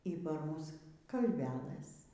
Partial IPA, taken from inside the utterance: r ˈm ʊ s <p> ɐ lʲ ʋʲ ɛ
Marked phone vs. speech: incorrect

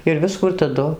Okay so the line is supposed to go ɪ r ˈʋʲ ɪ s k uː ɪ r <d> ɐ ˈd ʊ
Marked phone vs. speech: incorrect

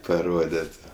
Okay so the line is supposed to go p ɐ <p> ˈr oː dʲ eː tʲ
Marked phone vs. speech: incorrect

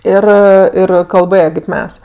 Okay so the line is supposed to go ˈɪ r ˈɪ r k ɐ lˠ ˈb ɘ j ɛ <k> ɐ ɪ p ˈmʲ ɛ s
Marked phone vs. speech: correct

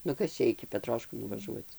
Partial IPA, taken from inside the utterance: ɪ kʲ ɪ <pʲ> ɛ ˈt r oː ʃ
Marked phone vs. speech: correct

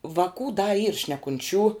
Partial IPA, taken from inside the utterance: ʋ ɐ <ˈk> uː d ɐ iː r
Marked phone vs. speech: correct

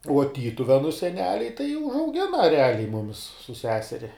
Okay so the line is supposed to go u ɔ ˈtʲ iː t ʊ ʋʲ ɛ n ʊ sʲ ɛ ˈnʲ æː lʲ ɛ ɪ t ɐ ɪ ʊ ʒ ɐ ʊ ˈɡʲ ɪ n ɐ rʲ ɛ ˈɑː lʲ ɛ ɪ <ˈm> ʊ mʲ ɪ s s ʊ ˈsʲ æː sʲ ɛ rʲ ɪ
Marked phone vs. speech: correct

